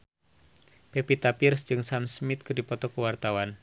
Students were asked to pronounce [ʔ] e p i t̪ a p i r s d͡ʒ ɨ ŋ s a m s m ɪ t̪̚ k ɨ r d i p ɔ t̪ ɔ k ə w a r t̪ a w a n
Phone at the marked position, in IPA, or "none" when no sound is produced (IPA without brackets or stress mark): p